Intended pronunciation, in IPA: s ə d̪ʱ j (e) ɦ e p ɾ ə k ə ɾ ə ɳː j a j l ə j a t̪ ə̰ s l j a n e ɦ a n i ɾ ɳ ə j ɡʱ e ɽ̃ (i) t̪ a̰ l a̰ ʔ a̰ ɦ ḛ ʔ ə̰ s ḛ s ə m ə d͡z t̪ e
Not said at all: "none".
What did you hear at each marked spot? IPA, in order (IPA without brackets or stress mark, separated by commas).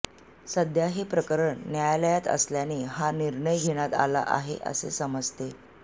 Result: a, a